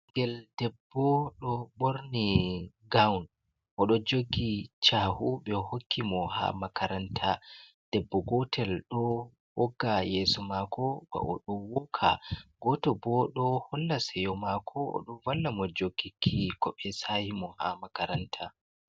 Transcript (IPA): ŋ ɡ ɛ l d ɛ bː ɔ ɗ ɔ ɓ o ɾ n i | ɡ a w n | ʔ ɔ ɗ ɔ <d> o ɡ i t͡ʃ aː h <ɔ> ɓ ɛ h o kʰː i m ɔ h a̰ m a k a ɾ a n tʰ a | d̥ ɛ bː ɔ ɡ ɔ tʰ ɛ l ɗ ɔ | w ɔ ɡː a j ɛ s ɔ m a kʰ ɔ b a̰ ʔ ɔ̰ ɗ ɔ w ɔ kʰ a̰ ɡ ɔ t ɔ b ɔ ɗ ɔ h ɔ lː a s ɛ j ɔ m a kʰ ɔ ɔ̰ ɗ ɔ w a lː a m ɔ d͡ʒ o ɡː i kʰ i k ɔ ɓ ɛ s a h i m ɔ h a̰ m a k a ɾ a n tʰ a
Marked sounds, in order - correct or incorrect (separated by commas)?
incorrect, incorrect